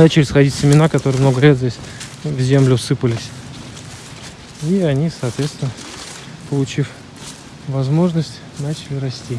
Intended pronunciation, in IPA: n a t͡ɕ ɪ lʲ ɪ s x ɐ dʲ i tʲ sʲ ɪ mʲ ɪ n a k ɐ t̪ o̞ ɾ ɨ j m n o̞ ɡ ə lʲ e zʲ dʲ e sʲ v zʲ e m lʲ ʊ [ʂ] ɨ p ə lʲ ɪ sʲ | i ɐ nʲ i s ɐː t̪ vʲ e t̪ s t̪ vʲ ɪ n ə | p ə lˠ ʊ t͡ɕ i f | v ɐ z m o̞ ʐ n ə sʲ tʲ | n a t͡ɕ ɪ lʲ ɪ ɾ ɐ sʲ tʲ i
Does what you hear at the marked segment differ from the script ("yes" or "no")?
yes